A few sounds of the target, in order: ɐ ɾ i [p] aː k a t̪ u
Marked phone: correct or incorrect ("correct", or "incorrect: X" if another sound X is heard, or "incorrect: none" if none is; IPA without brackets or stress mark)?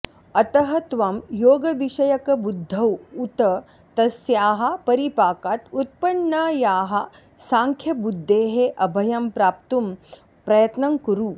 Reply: correct